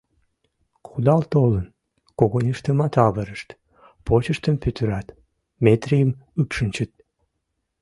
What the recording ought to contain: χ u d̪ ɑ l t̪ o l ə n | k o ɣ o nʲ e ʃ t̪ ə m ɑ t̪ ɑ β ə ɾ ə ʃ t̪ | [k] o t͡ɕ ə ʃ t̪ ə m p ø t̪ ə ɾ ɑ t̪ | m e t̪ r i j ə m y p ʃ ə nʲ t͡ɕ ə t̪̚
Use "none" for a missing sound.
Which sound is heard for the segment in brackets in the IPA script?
p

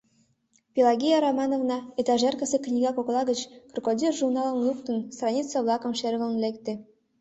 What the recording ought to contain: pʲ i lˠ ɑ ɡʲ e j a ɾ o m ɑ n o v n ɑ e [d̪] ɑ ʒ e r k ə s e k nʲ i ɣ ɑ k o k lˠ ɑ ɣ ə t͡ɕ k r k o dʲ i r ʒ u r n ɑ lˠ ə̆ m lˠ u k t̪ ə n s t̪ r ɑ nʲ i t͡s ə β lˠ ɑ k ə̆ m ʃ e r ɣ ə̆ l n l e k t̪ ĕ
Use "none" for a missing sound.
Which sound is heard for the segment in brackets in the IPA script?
t̪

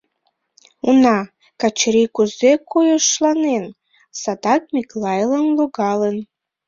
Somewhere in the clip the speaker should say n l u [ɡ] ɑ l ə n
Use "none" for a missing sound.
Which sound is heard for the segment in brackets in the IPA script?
ɡ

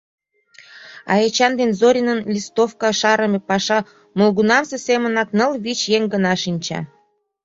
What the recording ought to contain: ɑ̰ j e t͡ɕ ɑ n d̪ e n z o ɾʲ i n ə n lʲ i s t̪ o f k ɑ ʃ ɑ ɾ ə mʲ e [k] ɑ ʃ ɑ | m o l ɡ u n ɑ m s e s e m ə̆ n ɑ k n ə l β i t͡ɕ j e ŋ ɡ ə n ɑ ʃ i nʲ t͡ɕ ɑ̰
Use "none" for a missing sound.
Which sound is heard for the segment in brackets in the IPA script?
p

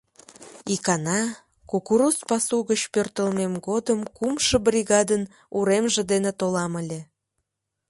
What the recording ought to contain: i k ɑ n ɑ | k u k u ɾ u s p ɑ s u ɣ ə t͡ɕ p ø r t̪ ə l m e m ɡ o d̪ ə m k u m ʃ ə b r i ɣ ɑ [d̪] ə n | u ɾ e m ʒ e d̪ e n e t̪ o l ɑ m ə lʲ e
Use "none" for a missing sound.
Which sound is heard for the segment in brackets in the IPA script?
d̪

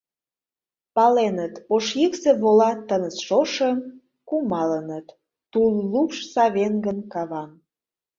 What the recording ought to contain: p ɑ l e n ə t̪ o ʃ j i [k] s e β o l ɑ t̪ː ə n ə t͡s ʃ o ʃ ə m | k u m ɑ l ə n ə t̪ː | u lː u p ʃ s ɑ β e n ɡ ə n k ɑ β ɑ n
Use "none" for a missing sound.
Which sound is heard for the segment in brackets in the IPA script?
k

